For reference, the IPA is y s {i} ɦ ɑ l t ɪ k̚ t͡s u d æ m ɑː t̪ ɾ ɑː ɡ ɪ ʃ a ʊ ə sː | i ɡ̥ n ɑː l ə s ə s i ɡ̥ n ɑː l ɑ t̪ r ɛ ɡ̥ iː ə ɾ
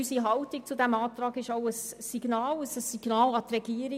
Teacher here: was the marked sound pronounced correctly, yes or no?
yes